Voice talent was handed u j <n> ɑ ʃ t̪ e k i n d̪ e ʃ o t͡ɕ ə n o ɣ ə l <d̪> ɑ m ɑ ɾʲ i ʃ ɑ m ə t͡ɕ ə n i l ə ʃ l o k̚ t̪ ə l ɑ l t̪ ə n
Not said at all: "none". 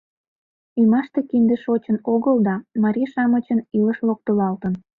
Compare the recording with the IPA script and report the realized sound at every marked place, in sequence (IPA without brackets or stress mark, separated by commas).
m, d̪